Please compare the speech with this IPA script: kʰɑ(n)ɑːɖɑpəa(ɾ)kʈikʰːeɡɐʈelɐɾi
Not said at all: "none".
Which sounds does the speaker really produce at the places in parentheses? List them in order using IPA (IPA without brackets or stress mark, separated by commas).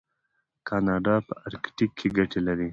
n, ɾ